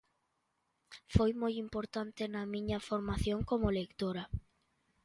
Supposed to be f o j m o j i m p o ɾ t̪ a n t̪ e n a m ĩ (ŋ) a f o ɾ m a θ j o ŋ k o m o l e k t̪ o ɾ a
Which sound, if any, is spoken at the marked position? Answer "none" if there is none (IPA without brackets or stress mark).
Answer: ɲ